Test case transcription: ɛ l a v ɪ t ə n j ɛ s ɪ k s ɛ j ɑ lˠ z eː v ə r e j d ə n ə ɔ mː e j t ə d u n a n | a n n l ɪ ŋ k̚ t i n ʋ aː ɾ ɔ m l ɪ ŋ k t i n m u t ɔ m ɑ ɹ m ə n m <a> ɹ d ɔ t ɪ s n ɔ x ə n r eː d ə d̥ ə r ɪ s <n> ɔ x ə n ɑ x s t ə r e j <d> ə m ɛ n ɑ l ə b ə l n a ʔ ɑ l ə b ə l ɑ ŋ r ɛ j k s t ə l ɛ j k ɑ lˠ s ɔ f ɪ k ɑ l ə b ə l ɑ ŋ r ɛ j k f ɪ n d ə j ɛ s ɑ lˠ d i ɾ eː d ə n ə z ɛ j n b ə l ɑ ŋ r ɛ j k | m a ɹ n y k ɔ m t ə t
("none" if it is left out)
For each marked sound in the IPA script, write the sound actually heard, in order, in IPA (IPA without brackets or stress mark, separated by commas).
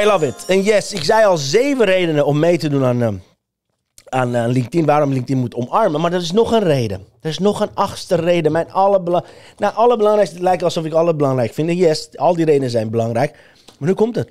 a, n, d